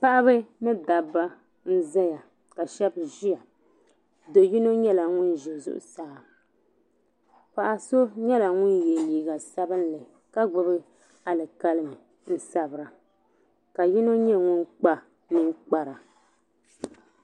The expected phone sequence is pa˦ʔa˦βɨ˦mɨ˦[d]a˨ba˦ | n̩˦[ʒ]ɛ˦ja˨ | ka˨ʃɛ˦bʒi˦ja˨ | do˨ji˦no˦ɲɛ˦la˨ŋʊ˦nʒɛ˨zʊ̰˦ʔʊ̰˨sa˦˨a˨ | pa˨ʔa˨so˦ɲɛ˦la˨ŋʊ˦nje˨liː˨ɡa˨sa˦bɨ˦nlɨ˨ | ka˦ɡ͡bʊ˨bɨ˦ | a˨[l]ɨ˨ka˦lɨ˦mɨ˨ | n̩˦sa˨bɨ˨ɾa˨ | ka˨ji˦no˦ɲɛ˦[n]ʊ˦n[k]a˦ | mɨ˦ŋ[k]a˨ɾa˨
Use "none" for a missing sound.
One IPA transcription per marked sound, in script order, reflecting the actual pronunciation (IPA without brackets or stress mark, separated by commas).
d, z, l, ŋ, k͡p, k͡p